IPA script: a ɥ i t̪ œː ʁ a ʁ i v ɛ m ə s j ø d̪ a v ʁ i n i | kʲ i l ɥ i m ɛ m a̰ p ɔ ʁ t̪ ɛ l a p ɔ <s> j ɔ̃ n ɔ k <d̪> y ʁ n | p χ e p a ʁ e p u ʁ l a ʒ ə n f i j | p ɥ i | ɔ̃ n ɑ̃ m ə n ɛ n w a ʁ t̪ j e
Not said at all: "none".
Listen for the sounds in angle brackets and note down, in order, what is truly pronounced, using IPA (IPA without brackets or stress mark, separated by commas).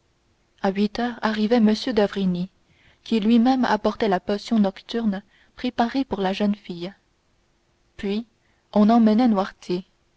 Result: s, t̪